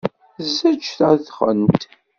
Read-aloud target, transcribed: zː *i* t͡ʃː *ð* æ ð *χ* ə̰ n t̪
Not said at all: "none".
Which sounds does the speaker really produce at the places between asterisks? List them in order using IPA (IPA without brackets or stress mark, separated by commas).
æ, θ, χ